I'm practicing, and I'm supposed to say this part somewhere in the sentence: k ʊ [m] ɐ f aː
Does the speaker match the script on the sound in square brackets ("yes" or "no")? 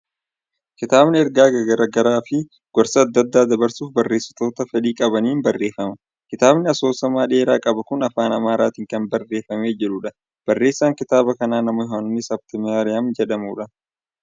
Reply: no